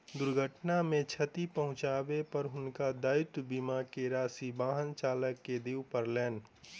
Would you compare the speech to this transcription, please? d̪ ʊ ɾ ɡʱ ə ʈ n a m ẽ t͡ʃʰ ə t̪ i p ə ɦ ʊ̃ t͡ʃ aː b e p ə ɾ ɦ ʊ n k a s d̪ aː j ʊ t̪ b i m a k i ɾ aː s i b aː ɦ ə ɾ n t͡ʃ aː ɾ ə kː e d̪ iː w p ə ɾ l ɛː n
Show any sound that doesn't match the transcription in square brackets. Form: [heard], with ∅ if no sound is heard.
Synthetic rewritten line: d̪ ʊ ɾ ɡʱ ə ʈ n a m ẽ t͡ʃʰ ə t̪ i p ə ɦ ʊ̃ t͡ʃ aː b e p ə ɾ ɦ ʊ n k a [∅] d̪ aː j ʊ t̪ b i m a k [e] ɾ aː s i b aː ɦ ə [∅] n t͡ʃ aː [l] ə kː e d̪ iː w p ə ɾ l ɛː n

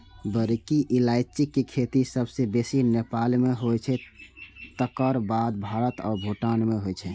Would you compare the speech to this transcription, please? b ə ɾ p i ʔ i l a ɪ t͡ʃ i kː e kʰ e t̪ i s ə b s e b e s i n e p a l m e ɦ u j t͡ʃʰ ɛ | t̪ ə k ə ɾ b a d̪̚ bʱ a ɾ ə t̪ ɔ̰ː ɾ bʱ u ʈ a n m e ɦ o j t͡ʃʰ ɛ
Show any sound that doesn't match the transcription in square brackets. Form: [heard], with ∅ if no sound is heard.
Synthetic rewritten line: b ə ɾ [k] i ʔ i l a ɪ t͡ʃ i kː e kʰ e t̪ i s ə b s e b e s i n e p a l m e ɦ [o] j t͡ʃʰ ɛ | t̪ ə k ə ɾ b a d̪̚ bʱ a ɾ ə t̪ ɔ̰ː ɾ bʱ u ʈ a n m e ɦ o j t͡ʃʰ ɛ

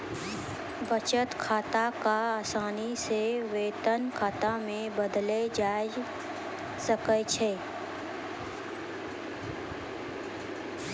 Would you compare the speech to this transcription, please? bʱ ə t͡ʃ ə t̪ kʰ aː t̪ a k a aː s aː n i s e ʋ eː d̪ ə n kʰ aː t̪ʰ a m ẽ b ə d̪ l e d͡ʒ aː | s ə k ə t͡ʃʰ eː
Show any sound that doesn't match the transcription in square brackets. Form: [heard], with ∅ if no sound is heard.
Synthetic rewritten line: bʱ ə t͡ʃ ə t̪ kʰ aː t̪ a k a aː s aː n i s e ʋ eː [t̪] ə n kʰ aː [t̪] a m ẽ b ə d̪ l e d͡ʒ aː | s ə k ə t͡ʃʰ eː

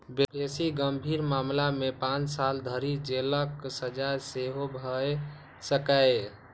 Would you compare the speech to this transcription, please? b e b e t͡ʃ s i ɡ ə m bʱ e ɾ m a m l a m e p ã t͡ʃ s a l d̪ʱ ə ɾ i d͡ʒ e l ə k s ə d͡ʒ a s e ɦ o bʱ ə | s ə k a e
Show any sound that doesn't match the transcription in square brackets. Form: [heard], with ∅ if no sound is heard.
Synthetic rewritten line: b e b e [∅] s i ɡ ə m bʱ [i] ɾ m a m l a m e p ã t͡ʃ s a l d̪ʱ ə ɾ i d͡ʒ e l ə k s ə d͡ʒ a s e ɦ o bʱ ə | s ə k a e

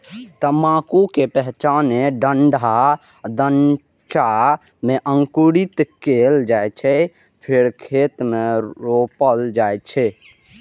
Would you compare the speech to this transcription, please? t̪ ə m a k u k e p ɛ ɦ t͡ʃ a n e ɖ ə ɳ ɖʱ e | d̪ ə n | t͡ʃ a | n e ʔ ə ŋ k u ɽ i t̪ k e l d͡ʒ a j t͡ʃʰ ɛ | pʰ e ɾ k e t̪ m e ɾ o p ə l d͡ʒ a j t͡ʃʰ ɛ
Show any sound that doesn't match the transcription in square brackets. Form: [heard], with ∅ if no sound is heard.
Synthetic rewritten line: t̪ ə m a k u k e p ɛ ɦ t͡ʃ a n e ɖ ə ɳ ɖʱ [a] | d̪ ə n | t͡ʃ a | [m] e ʔ ə ŋ k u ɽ i t̪ k e l d͡ʒ a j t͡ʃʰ ɛ | pʰ e ɾ [kʰ] e t̪ m e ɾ o p ə l d͡ʒ a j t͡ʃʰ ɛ

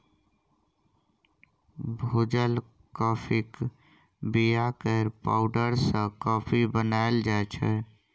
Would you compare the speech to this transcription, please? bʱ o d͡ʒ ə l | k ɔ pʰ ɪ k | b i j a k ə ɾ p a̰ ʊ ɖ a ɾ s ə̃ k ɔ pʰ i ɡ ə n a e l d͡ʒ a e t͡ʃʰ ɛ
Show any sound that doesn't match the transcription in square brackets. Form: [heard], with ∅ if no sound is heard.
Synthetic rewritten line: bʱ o d͡ʒ ə l | k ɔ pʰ [i] k | b i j a k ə ɾ p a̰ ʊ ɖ [ə] ɾ s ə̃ k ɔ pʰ i [b] ə n a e l d͡ʒ a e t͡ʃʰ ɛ

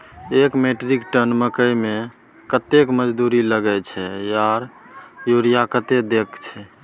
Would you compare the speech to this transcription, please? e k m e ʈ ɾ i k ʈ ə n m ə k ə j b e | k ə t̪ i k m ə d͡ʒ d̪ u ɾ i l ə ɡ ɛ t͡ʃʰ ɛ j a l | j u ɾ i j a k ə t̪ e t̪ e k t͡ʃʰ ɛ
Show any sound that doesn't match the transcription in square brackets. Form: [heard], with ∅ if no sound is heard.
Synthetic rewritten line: e k m e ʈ ɾ i k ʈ ə n m ə k ə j [m] e | k ə t̪ [e] k m ə d͡ʒ d̪ u ɾ i l ə ɡ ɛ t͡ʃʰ ɛ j a [ɾ] | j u ɾ i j a k ə t̪ e [d̪] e k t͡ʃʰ ɛ

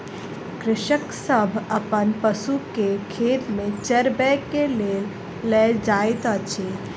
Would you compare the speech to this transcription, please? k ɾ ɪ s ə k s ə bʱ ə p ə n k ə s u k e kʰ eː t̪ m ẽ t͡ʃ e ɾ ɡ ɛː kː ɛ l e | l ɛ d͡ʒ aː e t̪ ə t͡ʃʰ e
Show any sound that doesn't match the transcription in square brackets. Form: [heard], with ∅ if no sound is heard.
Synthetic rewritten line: k ɾ ɪ [ʃ] ə k s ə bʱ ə p ə n [p] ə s u k e kʰ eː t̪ m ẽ t͡ʃ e ɾ [b] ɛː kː [e] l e | l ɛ d͡ʒ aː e t̪ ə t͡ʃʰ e

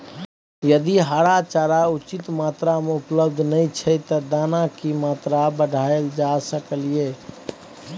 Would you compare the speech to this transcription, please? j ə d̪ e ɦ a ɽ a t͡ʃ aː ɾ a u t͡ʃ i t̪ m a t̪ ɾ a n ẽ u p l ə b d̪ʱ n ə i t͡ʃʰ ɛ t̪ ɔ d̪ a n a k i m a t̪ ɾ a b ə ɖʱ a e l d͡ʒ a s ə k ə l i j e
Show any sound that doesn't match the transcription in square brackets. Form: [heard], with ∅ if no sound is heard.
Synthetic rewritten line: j ə d̪ [i] ɦ a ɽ a t͡ʃ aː ɾ a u t͡ʃ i t̪ m a t̪ ɾ a [m] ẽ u p l ə b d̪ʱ n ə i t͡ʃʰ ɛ t̪ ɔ d̪ a n a k i m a t̪ ɾ a b ə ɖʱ a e l d͡ʒ a s ə k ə l i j e

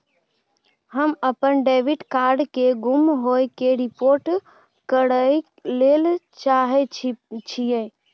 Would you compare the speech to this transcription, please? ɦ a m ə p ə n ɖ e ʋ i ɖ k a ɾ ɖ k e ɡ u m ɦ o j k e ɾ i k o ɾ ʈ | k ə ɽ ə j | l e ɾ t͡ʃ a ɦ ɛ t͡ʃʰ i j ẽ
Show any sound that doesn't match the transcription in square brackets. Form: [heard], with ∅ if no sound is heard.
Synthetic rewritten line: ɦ [ə] m ə p ə n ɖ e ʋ i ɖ k a ɾ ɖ k e ɡ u m ɦ o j k e ɾ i [p] o ɾ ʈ | k ə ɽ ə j | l e [l] t͡ʃ a ɦ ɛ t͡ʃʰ i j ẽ

